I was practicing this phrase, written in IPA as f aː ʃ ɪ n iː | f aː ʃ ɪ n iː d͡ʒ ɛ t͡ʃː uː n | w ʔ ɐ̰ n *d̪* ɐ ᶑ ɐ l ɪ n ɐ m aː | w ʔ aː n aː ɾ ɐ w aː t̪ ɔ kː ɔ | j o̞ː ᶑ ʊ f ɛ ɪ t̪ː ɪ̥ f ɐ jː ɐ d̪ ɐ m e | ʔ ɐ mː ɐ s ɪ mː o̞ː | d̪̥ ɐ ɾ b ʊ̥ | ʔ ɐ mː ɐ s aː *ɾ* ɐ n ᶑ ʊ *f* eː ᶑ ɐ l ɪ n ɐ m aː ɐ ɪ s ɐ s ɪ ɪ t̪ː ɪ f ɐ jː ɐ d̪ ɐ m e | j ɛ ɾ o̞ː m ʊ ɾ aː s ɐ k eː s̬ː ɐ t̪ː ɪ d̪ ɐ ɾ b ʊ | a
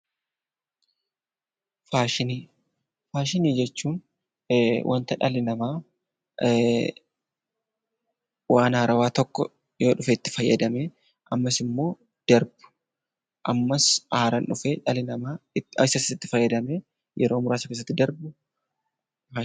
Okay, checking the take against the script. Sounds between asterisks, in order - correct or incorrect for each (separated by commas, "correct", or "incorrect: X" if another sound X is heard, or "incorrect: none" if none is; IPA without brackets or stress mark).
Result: incorrect: t̪, correct, correct